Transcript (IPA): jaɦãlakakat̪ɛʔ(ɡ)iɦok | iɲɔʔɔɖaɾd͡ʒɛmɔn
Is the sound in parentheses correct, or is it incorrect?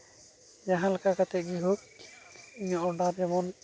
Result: correct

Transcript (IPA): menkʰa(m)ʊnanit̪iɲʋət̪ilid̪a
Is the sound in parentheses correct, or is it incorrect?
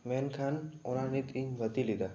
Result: incorrect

